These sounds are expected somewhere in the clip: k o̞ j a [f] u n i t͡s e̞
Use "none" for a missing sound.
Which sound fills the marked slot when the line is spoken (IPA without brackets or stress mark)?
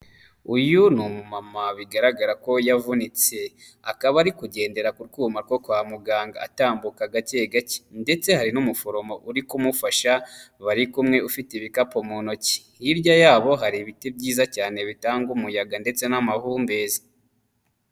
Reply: v